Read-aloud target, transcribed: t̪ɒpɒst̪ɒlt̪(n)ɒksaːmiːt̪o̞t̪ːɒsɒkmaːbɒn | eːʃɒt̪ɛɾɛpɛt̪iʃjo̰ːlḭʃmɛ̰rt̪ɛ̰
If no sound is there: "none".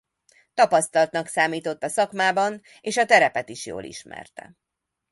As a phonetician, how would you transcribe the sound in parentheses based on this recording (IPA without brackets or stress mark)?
n